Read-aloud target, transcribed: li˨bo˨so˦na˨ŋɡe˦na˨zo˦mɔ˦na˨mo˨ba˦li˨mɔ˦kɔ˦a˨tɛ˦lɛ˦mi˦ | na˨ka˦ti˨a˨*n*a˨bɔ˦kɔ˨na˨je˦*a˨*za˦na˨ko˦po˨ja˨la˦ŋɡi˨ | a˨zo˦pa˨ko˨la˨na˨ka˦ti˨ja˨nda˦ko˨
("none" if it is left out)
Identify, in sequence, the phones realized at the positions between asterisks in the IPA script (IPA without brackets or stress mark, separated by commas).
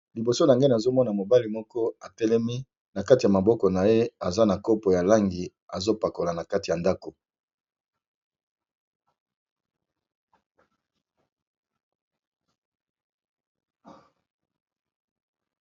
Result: m, a˨